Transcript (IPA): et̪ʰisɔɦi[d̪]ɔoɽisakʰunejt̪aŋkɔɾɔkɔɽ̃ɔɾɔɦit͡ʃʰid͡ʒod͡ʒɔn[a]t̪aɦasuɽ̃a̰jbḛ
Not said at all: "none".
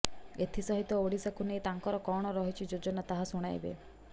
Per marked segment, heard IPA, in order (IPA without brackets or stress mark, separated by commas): t̪, a